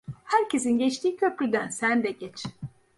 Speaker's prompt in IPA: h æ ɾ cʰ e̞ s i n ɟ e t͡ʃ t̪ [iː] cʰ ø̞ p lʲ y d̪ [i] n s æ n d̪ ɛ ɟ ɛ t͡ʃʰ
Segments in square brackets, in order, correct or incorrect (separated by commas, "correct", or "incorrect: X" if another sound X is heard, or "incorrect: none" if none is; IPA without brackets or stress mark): correct, incorrect: æ